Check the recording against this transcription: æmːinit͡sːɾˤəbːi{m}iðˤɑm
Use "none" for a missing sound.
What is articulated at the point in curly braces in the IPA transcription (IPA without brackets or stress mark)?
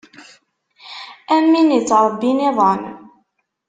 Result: n